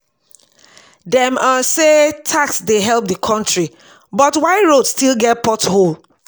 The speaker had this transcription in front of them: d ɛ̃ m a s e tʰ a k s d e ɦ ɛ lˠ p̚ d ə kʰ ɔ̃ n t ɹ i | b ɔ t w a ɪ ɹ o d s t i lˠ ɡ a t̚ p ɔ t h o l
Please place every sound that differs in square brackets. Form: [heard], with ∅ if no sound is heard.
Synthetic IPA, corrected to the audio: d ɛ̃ m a s e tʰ a k s d e ɦ ɛ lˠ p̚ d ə kʰ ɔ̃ n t ɹ i | b ɔ t w a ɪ ɹ o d s t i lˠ ɡ [ɛ] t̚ p ɔ t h o l